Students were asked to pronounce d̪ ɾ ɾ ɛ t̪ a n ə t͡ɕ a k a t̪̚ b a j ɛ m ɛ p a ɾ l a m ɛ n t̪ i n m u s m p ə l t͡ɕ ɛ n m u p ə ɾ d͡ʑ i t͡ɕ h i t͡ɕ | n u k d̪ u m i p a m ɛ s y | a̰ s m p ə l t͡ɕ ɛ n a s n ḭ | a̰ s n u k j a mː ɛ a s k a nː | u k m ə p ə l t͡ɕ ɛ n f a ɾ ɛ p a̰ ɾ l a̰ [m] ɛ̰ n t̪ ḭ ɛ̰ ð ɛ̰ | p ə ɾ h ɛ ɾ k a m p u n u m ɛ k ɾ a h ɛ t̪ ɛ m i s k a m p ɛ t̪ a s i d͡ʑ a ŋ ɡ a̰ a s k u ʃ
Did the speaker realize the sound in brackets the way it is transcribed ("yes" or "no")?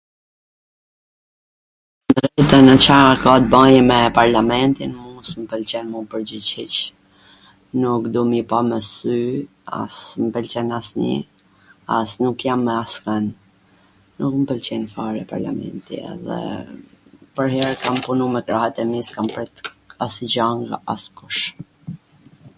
yes